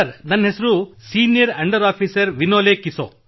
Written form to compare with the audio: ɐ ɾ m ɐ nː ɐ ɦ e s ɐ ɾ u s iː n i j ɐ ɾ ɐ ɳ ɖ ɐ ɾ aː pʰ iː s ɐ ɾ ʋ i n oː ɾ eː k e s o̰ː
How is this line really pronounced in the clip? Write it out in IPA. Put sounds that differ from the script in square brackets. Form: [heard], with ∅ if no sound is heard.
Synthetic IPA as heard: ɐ ɾ [n] ɐ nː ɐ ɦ e s ɐ ɾ u s iː n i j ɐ ɾ ɐ ɳ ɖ ɐ ɾ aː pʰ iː s ɐ ɾ ʋ i n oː [l] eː k [i] s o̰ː